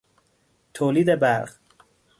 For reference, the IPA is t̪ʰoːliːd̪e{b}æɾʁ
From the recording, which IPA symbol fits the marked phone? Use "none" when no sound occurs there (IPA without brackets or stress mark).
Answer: b